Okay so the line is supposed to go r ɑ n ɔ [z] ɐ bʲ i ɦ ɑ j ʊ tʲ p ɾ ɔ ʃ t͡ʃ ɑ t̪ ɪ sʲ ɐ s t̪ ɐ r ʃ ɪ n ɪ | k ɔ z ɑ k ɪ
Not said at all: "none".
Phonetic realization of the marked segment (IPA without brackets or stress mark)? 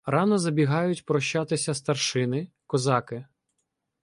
z